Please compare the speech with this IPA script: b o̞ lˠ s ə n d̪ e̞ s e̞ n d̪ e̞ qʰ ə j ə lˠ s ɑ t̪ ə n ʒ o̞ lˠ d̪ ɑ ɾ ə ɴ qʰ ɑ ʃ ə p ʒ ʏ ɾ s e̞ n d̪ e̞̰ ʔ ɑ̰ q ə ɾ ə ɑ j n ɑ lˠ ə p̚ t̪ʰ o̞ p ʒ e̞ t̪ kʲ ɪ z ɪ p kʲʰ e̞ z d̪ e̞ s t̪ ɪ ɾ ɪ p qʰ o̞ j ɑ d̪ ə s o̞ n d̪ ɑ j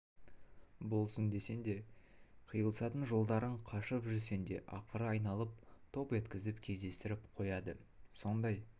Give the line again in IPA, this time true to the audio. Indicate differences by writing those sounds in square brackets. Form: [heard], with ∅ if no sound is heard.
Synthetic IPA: b o̞ lˠ s ə n d̪ e̞ s e̞ n d̪ e̞ qʰ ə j ə lˠ s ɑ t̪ ə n ʒ o̞ lˠ d̪ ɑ ɾ ə ɴ qʰ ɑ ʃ ə p ʒ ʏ ɾ s e̞ n d̪ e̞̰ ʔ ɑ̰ q ə ɾ ə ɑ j n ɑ lˠ ə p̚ t̪ʰ o̞ p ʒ e̞ t̪ kʲ ɪ z ɪ p kʲʰ e̞ z d̪ e̞ s t̪ ɪ ɾ ɪ p qʰ o̞ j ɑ d̪ ə s o̞ n d̪ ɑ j